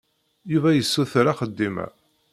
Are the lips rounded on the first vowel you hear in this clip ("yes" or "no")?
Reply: yes